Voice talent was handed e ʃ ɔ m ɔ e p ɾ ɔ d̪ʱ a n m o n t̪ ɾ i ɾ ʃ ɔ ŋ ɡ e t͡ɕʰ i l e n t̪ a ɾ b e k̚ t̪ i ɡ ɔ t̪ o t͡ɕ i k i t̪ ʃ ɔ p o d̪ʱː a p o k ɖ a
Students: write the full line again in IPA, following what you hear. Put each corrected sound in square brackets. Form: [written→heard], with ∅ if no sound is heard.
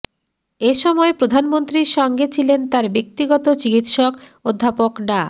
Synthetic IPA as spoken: e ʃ ɔ m ɔ e p ɾ [ɔ→o] d̪ʱ a n m o n t̪ ɾ i ɾ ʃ ɔ ŋ ɡ e t͡ɕʰ i l e n t̪ a ɾ b e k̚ t̪ i ɡ ɔ t̪ o t͡ɕ i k i t̪ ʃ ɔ [p→k] o d̪ʱː a p o k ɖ a